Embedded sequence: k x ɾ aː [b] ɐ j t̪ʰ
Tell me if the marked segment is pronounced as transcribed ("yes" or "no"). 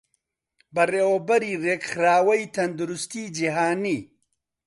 no